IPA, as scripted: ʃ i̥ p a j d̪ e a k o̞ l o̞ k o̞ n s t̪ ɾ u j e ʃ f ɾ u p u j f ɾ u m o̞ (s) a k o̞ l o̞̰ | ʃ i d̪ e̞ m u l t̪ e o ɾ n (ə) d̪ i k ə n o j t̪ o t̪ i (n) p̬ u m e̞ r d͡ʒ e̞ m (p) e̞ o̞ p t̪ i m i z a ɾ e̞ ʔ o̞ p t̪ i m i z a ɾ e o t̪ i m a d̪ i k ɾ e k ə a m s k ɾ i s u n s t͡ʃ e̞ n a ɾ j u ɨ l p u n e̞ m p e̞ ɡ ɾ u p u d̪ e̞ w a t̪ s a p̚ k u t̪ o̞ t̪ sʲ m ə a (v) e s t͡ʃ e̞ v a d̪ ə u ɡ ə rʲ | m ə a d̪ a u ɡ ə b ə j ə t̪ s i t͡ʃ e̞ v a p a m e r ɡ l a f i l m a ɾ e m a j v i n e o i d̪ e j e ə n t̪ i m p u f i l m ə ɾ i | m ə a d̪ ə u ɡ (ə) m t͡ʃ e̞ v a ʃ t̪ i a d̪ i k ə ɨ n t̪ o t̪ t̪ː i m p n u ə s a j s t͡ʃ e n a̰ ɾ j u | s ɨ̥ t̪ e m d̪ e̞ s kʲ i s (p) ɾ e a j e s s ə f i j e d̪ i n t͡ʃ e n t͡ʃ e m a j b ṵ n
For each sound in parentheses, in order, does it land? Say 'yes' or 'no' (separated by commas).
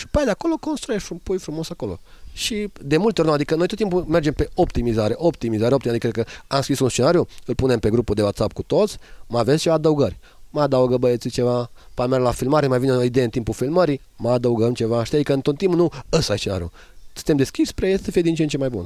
yes, no, no, yes, yes, yes, yes